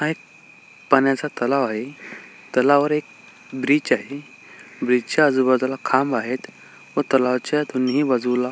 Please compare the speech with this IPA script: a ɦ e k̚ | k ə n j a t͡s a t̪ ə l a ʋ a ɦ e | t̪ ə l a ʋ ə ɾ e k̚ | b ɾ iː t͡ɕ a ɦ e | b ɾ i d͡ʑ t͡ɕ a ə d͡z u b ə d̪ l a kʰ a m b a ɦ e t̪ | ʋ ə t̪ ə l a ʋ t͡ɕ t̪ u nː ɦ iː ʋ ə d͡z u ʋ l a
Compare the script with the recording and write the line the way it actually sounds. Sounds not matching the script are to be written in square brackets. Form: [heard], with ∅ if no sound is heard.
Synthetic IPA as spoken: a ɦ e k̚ | [p] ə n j a t͡s a t̪ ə l a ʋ a ɦ e | t̪ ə l a ʋ ə ɾ e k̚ | b ɾ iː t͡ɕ a ɦ e | b ɾ i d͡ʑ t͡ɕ a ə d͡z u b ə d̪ l a kʰ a m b a ɦ e t̪ | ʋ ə t̪ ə l a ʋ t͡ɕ t̪ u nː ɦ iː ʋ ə d͡z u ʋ l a